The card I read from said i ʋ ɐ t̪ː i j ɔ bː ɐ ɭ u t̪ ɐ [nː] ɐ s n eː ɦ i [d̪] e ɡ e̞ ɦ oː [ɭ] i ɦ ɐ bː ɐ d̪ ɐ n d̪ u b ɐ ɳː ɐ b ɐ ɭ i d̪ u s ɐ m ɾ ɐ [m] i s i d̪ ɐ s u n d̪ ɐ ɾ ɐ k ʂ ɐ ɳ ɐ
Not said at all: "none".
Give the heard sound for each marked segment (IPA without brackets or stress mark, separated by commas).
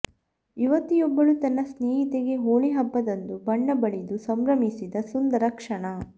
nː, t̪, ɭ, m